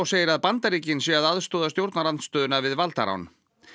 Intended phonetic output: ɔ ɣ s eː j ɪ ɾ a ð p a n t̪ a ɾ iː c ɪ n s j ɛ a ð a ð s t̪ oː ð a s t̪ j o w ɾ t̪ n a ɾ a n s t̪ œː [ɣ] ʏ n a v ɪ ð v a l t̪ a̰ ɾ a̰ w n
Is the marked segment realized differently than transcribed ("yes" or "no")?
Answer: yes